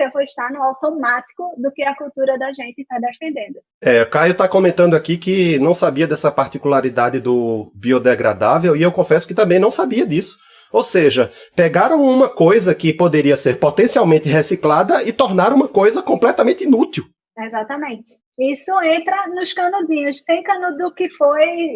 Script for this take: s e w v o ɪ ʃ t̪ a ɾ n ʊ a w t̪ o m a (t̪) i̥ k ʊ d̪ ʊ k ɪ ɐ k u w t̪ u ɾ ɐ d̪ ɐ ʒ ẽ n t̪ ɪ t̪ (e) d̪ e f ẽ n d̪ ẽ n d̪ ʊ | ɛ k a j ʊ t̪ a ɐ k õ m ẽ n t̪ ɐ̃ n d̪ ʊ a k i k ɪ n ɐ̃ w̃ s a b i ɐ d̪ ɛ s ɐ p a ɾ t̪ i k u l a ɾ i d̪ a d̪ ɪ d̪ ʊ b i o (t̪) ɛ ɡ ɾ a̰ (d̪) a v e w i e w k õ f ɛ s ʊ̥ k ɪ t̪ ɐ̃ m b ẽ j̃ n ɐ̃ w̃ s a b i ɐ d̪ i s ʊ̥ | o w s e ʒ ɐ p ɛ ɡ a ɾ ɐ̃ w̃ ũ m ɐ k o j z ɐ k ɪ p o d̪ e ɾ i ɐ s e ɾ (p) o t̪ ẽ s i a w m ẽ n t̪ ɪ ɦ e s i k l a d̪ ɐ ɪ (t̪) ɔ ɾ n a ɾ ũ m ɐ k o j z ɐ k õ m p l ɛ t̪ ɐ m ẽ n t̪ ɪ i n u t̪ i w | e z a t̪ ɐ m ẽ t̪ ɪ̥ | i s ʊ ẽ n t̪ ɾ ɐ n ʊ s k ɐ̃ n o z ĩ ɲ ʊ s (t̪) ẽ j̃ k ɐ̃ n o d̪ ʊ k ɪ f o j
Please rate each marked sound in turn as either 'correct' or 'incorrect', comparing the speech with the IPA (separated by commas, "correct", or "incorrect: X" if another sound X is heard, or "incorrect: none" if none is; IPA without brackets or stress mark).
correct, incorrect: a, incorrect: d̪, correct, correct, correct, correct